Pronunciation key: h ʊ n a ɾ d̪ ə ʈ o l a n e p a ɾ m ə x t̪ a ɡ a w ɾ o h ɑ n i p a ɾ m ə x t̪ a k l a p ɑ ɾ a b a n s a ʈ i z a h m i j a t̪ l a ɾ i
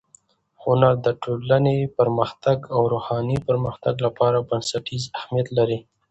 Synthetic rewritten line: h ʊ n a ɾ d̪ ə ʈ o l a n e p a ɾ m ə x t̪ a ɡ a w ɾ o h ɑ n i p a ɾ m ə x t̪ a ɡ l a p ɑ ɾ a b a n s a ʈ i z a h m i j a t̪ l a ɾ i